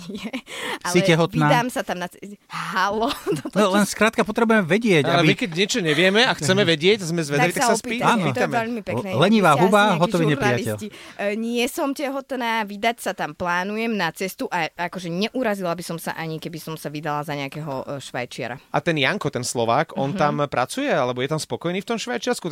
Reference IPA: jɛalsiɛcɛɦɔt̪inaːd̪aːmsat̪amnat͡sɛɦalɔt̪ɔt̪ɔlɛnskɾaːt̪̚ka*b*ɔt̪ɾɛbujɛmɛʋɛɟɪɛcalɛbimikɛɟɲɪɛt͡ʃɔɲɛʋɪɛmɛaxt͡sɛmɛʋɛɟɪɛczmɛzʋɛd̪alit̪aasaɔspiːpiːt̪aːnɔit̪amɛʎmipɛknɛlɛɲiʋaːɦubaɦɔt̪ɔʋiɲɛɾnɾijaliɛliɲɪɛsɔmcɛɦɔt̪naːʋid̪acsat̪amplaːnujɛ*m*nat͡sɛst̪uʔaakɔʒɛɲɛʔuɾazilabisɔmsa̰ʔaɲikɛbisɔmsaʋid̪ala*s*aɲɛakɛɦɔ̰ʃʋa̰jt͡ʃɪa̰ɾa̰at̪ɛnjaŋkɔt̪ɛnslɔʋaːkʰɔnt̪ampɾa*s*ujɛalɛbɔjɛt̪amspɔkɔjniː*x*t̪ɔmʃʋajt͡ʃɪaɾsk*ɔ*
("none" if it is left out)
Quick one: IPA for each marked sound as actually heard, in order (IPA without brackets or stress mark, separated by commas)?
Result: p, m, z, t͡s, f, u